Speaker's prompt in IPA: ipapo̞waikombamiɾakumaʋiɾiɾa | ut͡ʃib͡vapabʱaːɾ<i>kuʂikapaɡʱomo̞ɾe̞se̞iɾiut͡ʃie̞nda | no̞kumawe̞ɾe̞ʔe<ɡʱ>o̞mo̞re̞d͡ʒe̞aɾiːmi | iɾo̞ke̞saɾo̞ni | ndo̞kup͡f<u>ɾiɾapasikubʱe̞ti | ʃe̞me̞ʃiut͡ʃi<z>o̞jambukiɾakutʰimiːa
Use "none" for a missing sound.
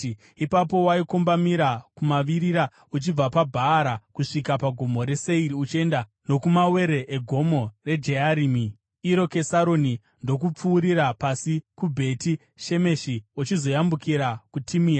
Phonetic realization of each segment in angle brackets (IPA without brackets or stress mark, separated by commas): a, ɡʱ, uː, z